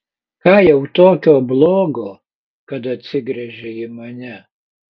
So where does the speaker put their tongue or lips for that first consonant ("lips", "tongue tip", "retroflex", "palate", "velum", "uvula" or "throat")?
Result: velum